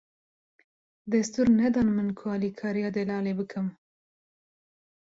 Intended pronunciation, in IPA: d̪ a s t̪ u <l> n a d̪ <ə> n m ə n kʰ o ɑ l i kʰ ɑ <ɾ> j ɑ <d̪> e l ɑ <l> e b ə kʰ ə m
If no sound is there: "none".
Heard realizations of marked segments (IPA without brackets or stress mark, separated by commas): ɾ, ɑ, ɾ, d̪, l